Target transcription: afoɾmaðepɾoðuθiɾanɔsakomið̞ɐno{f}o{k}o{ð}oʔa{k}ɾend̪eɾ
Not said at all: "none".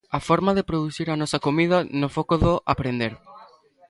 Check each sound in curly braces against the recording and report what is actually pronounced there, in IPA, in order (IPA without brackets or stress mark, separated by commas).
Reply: f, k, ð, p